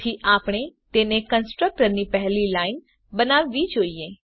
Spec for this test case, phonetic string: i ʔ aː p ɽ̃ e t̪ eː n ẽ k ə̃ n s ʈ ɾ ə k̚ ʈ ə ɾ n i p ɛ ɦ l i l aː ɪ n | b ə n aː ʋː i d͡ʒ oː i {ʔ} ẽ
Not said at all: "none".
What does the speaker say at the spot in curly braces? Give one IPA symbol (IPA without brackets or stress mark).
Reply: none